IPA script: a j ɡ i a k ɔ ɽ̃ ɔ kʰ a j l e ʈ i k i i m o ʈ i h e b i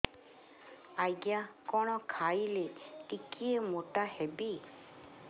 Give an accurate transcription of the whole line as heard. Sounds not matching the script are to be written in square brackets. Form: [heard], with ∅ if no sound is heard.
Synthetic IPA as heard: a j ɡ [j] a k ɔ ɽ̃ ɔ kʰ a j l e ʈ i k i [e] m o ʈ [a] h e b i

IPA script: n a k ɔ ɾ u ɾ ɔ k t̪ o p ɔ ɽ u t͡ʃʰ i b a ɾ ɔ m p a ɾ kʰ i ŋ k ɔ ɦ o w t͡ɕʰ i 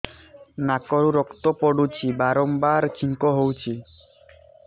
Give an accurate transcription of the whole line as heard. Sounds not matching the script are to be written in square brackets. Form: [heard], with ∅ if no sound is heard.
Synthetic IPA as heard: n a k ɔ ɾ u ɾ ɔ k t̪ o p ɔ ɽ u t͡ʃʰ i b a ɾ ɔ m [b] a ɾ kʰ i ŋ k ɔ ɦ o w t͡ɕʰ i

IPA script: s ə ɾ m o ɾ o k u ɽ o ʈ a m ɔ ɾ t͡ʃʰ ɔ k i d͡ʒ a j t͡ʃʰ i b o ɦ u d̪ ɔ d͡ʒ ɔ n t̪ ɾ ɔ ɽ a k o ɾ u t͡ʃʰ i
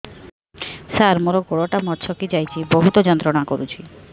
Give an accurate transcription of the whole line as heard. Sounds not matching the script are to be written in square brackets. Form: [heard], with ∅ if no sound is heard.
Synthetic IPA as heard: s [a] ɾ m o ɾ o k [o] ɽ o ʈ a m ɔ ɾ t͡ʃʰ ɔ k i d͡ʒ a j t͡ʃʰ i b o ɦ u [t̪] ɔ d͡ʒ ɔ n t̪ ɾ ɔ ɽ a k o ɾ u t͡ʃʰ i

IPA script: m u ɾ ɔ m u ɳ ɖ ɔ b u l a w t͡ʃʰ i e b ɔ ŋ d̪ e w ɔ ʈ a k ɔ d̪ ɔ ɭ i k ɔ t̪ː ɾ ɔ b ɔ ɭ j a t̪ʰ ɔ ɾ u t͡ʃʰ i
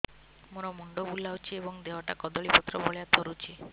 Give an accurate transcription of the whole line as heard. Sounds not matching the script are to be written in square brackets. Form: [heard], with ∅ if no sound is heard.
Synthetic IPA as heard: m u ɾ ɔ m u ɳ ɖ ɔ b u l a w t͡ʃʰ i e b ɔ ŋ d̪ e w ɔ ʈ a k ɔ d̪ ɔ ɭ i [p] ɔ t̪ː ɾ ɔ b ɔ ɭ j a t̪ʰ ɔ ɾ u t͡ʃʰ i

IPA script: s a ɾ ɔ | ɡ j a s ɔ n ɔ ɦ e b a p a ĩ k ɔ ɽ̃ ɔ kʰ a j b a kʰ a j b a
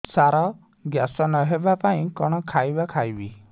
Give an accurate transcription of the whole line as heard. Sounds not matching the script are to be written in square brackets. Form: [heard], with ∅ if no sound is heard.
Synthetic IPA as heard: s a ɾ ɔ | ɡ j a s ɔ n ɔ ɦ e b a p a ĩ k ɔ ɽ̃ ɔ kʰ a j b a kʰ a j b [i]

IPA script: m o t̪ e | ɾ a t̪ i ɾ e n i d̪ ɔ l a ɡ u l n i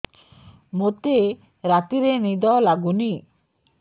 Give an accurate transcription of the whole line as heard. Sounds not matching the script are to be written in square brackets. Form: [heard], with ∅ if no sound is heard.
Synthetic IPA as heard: m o t̪ e | ɾ a t̪ i ɾ e n i d̪ ɔ l a ɡ u [∅] n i

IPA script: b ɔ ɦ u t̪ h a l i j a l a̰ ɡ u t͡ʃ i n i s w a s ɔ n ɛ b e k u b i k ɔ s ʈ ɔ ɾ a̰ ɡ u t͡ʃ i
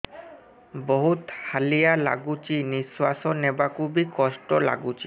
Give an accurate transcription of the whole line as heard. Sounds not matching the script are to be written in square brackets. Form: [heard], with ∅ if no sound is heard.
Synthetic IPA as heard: b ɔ ɦ u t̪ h a l i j a l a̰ ɡ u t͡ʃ i n i s w a s ɔ n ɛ b [a] k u b i k ɔ s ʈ ɔ [l] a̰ ɡ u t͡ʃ i

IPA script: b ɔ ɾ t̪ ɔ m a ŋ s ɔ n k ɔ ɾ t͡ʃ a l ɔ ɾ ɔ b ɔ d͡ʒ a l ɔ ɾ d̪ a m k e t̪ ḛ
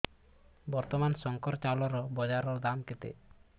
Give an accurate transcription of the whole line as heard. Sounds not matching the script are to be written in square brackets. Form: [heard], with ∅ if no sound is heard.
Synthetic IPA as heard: b ɔ ɾ t̪ ɔ m a [n] s ɔ [ŋ] k ɔ ɾ t͡ʃ a l ɔ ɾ ɔ b ɔ d͡ʒ a [ɾ] ɔ ɾ d̪ a m k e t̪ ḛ

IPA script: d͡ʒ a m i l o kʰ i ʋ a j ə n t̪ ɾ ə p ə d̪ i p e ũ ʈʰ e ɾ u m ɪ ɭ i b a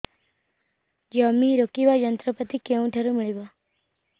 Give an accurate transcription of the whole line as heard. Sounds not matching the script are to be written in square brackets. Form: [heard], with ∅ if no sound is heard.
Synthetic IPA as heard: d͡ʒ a m i [ɾ] o [k] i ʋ a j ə n t̪ ɾ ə p ə [t̪] i [k] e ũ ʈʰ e ɾ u m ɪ ɭ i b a

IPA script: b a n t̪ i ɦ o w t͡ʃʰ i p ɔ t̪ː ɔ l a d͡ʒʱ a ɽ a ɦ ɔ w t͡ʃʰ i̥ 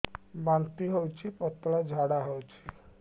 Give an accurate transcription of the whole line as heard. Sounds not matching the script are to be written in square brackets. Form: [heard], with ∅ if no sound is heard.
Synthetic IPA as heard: b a n t̪ i ɦ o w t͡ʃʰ i p ɔ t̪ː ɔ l a d͡ʒʱ a ɽ a ɦ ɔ w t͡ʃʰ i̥

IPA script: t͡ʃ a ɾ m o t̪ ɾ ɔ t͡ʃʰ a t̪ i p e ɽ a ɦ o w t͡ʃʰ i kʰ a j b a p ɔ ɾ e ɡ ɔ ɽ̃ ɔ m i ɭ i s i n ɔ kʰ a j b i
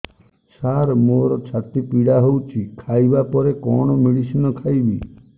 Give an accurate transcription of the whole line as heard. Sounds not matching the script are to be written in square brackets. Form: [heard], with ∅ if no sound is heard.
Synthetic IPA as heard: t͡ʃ a ɾ m o [∅] ɾ ɔ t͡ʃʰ a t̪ i p [i] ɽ a ɦ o w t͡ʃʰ i kʰ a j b a p ɔ ɾ e [k] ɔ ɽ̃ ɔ m i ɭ i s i n ɔ kʰ a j b i

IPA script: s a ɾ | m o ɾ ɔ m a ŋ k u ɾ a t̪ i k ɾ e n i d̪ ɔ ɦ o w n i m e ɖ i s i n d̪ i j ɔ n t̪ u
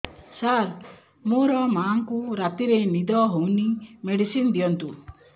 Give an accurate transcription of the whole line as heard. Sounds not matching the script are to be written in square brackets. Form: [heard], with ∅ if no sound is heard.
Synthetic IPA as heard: s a ɾ | m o ɾ ɔ m a ŋ k u ɾ a t̪ i [∅] ɾ e n i d̪ ɔ ɦ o w n i m e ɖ i s i n d̪ i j ɔ n t̪ u

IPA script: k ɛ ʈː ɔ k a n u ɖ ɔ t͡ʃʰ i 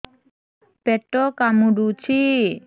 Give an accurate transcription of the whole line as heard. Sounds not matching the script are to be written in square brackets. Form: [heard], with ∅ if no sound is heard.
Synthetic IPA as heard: [p] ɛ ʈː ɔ k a [m] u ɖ [u] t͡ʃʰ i

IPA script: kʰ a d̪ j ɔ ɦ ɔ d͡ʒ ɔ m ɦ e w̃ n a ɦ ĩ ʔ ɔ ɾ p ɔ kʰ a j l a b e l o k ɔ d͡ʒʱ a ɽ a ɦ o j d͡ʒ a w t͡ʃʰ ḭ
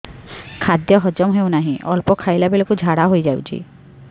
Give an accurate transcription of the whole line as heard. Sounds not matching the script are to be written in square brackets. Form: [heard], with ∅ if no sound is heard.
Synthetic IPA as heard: kʰ a d̪ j ɔ ɦ ɔ d͡ʒ ɔ m ɦ e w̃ n a ɦ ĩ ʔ ɔ [l] p ɔ kʰ a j l a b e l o k [u] d͡ʒʱ a ɽ a ɦ o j d͡ʒ a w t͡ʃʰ ḭ

